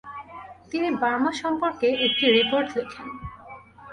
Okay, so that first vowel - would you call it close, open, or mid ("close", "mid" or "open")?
close